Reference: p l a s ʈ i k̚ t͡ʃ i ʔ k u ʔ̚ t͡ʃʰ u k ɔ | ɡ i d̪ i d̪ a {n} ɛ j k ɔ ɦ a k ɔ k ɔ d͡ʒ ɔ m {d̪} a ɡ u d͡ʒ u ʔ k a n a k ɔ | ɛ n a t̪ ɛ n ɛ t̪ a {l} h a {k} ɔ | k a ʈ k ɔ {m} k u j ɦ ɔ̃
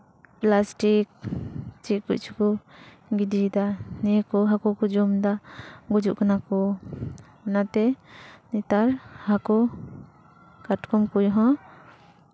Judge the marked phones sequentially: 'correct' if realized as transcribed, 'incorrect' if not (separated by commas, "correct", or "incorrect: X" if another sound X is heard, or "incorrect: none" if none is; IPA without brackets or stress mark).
correct, correct, incorrect: ɾ, correct, correct